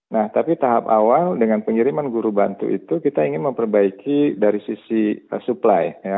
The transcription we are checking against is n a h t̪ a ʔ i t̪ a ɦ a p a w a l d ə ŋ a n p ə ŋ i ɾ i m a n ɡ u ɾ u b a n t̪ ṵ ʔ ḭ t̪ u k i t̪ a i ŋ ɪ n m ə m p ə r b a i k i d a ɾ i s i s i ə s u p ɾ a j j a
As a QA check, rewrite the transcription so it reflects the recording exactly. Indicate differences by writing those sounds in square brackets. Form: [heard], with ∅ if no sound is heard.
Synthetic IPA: n a h t̪ a [p] i t̪ a ɦ a p a w a l d ə ŋ a n p ə ŋ i ɾ i m a n ɡ u ɾ u b a n t̪ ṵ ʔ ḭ t̪ u k i t̪ a i ŋ ɪ n m ə m p ə r b a i k i d a ɾ i s i s i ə s u p [l] a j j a